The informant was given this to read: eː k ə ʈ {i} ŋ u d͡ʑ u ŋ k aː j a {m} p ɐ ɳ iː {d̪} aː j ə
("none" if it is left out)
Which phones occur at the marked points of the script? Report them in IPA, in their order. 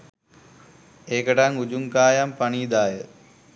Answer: a, m, d̪

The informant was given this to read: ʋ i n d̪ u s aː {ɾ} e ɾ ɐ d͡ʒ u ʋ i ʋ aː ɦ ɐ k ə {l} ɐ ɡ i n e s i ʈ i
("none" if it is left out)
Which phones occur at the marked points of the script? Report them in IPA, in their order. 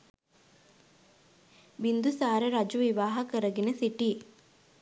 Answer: ɾ, ɾ

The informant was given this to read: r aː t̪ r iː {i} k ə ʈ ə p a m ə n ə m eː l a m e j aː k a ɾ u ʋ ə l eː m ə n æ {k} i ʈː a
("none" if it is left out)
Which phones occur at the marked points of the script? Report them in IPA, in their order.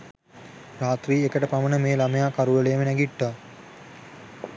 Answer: e, ɡ

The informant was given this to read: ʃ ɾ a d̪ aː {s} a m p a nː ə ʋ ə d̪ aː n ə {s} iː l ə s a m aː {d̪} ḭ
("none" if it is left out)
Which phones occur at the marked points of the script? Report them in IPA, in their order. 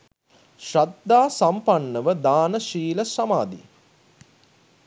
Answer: s, ʃ, d̪

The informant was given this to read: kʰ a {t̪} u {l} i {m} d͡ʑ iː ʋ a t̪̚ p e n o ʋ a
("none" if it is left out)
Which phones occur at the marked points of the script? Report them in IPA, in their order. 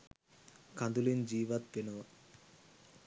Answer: d̪, l, n

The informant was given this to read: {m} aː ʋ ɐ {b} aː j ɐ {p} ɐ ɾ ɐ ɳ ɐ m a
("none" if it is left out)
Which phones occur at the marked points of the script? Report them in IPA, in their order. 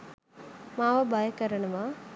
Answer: m, b, k

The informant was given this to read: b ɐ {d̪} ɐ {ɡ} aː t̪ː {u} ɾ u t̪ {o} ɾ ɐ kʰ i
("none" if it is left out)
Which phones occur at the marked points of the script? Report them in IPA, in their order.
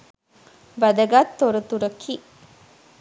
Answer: d̪, ɡ, o, u

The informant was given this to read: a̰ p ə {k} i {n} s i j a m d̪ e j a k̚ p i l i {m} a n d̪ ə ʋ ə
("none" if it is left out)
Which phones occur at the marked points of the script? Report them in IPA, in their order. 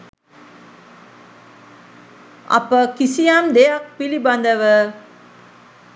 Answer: k, none, b

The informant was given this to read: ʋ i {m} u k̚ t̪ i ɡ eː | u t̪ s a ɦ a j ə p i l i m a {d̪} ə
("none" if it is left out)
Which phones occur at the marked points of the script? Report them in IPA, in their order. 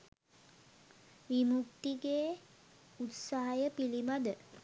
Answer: m, d̪

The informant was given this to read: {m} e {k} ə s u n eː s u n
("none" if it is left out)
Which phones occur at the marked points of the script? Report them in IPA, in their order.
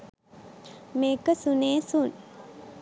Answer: m, k

